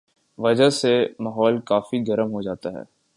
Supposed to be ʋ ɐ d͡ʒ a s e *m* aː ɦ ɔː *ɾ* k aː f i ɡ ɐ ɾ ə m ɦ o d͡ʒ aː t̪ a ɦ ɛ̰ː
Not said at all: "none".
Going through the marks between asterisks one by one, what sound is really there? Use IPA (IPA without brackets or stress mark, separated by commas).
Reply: m, l